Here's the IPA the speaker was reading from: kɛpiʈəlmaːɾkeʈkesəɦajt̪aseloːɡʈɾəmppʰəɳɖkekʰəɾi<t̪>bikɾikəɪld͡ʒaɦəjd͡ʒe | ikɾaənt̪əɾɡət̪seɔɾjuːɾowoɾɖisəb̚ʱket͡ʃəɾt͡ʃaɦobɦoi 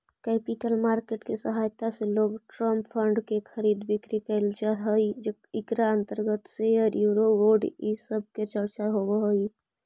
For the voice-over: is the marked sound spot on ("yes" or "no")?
no